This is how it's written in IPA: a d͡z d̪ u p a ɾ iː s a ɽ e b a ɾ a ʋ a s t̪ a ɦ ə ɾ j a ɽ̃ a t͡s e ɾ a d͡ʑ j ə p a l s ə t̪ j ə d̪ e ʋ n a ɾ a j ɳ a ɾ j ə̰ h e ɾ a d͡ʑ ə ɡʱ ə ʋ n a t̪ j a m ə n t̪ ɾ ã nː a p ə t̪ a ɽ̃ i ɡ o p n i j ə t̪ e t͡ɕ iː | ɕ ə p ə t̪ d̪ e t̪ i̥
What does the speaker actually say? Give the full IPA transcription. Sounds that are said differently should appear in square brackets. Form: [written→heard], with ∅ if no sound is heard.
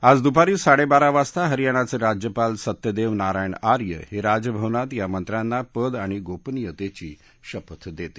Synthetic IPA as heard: a d͡z d̪ u p a ɾ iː s a ɽ e b a ɾ a ʋ a s t̪ a ɦ ə ɾ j a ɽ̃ a t͡s e ɾ a d͡ʑ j ə p a l s ə t̪ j ə d̪ e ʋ n a ɾ a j ɳ a ɾ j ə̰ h e ɾ a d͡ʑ ə [ɡʱ→bʱ] ə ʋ n a t̪ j a m ə n t̪ ɾ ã nː a p ə [t̪→d̪] a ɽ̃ i ɡ o p n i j ə t̪ e t͡ɕ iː | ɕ ə p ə t̪ d̪ e t̪ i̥

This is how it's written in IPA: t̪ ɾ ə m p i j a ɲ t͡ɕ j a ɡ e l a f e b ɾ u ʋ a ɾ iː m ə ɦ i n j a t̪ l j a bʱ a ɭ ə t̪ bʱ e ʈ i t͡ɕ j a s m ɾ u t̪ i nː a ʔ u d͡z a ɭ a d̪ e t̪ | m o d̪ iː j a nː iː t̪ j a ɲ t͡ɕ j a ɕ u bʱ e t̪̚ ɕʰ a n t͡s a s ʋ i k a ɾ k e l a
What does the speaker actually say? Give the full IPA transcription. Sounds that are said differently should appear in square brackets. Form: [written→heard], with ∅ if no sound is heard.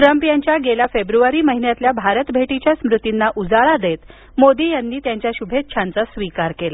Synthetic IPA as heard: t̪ ɾ ə m p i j a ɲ t͡ɕ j a ɡ e l a f e b ɾ u ʋ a ɾ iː m ə ɦ i n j a t̪ l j a bʱ a [ɭ→ɾ] ə t̪ bʱ e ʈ i t͡ɕ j a s m ɾ u t̪ i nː a ʔ u d͡z a ɭ a d̪ e t̪ | m o d̪ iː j a nː iː t̪ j a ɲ t͡ɕ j a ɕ u bʱ e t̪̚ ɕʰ a n t͡s a s ʋ i k a ɾ k e l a

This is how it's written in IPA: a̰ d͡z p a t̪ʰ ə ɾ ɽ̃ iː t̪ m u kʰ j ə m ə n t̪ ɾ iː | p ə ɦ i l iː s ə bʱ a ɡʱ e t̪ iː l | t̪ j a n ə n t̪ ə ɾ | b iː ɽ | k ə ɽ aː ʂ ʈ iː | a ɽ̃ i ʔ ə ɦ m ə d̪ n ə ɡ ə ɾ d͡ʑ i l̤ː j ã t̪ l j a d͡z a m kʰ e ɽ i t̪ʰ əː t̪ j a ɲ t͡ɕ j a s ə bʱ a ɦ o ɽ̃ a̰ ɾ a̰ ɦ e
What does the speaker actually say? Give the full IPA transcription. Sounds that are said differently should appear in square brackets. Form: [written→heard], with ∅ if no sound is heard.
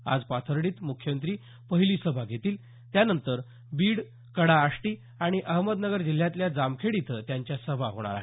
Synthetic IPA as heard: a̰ d͡z p a t̪ʰ ə ɾ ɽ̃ iː t̪ m u kʰ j ə m ə n t̪ ɾ iː | p ə ɦ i l iː s ə bʱ a ɡʱ e t̪ iː l | t̪ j a n ə n t̪ ə ɾ | b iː ɽ | k ə ɽ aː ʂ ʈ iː | a ɽ̃ i ʔ ə ɦ m ə d̪ n ə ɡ ə ɾ d͡ʑ i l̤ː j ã t̪ l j a d͡z a m kʰ e ɽ i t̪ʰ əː t̪ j a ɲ t͡ɕ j a s ə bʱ a ɦ o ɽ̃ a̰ ɾ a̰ ɦ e

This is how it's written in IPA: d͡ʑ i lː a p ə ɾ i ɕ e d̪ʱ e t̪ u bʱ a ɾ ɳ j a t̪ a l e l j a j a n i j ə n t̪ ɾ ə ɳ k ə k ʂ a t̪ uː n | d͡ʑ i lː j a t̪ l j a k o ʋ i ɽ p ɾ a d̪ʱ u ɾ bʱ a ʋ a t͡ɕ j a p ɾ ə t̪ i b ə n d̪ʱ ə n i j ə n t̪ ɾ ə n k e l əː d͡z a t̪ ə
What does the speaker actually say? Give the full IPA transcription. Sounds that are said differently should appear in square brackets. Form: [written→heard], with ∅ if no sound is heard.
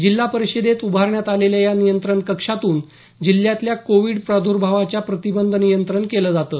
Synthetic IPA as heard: d͡ʑ i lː a p ə ɾ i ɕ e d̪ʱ e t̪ u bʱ a ɾ ɳ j a t̪ a l e l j a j a n i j ə n t̪ ɾ ə ɳ k ə k ʂ a t̪ uː n | d͡ʑ i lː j a t̪ l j a k o ʋ i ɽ p ɾ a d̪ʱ u ɾ bʱ a ʋ a t͡ɕ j a p ɾ ə t̪ i b ə n d̪ʱ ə n i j ə n t̪ ɾ ə [n→ɳ] k e l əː d͡z a t̪ ə

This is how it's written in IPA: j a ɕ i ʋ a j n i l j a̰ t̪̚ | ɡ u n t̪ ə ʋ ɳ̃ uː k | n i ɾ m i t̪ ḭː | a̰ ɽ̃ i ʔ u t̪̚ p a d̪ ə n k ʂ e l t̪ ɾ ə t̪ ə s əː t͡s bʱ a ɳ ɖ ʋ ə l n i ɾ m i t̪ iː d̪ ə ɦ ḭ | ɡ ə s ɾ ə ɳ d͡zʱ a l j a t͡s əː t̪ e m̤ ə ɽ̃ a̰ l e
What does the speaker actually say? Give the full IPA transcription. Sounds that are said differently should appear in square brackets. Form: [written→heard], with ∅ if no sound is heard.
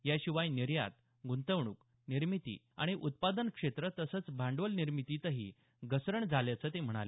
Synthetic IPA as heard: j a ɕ i ʋ a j n i [l→ɾ] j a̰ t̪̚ | ɡ u n t̪ ə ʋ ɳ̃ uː k | n i ɾ m i t̪ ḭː | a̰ ɽ̃ i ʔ u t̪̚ p a d̪ ə n k ʂ e [l→∅] t̪ ɾ ə t̪ ə s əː t͡s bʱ a ɳ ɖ ʋ ə l n i ɾ m i t̪ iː [d̪→t̪] ə ɦ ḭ | ɡ ə s ɾ ə ɳ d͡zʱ a l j a t͡s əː t̪ e m̤ ə ɽ̃ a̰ l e

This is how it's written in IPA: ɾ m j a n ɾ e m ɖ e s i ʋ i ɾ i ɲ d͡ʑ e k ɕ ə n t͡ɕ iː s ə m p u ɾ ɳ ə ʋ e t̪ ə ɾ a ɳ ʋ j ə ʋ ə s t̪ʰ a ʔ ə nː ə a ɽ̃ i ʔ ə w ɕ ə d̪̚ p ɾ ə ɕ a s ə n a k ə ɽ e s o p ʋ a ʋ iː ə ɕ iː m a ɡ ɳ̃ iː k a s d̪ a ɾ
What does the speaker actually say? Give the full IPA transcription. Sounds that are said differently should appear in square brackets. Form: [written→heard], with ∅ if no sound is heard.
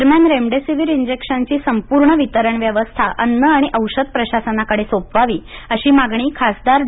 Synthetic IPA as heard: ɾ m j a n ɾ e m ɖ e s i ʋ i ɾ i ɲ d͡ʑ e k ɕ ə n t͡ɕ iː s ə m p u ɾ ɳ ə ʋ [e→i] t̪ ə ɾ [a→ə] ɳ ʋ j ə ʋ ə s t̪ʰ a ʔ ə nː ə a ɽ̃ i ʔ ə w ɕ ə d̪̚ p ɾ ə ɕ a s ə n a k ə ɽ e s o p ʋ a ʋ iː ə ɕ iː m a ɡ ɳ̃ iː [k→kʰ] a s d̪ a ɾ

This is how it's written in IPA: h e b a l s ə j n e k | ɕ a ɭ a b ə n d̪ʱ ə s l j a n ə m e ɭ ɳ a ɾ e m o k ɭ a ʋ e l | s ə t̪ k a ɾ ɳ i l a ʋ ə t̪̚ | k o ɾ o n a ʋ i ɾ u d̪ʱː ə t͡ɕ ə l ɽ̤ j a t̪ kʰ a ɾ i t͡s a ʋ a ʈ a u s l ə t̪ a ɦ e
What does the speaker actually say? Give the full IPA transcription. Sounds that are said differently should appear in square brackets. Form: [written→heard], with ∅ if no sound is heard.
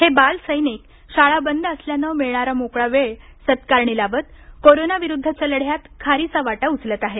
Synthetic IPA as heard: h e b a l s ə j n e k | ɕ a ɭ a b ə n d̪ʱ ə s l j a n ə m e ɭ ɳ a ɾ [e→a] m o k ɭ a ʋ e [l→ɭ] | s ə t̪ k a ɾ ɳ i l a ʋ ə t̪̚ | k o ɾ o n a ʋ i ɾ u d̪ʱː ə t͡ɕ ə l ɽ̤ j a t̪ kʰ a ɾ i t͡s a ʋ a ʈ a u [s→t͡s] l ə t̪ a ɦ e

